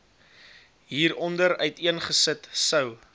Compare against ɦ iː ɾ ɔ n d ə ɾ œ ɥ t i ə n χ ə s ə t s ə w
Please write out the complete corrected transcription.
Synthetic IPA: ɦ iː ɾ ɔ n d ə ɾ œ ɥ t i ə n χ ə s ə t s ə w